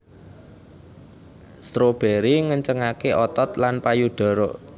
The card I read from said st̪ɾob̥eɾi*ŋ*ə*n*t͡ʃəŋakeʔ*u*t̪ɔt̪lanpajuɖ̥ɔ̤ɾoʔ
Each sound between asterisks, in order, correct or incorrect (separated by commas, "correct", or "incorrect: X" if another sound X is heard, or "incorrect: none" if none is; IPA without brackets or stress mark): correct, incorrect: ɲ, incorrect: ɔ